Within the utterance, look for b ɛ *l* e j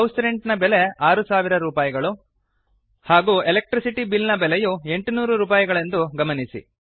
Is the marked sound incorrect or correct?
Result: correct